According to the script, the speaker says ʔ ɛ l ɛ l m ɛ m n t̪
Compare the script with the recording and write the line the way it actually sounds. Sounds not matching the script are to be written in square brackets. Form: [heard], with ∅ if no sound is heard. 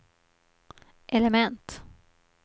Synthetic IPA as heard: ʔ ɛ l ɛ [∅] m ɛ [∅] n t̪